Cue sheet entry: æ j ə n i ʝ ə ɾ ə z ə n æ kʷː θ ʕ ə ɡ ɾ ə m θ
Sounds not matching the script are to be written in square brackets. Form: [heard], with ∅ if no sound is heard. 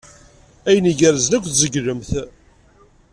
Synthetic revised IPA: æ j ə n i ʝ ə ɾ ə z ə n æ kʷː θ [z] ə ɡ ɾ ə m θ